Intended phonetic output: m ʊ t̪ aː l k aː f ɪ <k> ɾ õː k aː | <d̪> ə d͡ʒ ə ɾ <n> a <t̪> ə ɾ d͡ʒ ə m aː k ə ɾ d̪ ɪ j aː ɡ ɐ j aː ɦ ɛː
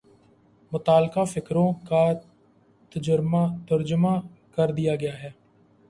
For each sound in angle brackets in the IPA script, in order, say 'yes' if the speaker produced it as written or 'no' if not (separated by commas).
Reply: yes, no, no, yes